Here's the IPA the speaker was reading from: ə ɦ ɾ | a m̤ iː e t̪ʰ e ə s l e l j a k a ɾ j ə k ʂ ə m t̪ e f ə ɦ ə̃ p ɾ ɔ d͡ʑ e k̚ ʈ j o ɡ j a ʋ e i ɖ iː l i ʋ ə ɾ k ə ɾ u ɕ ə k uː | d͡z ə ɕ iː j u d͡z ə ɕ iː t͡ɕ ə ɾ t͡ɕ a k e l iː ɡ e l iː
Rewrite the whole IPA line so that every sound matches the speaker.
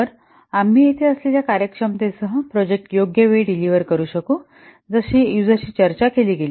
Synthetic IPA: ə ɾ | a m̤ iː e t̪ʰ e ə s l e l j a k a ɾ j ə k ʂ ə m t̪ e s ə ɦ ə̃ p ɾ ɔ d͡ʑ e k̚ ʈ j o ɡ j ə ʋ e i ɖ i l i ʋ ə ɾ k ə ɾ uː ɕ ə k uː | d͡z ə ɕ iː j u d͡z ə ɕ iː t͡ɕ ə ɾ t͡ɕ a k e l iː ɡ e l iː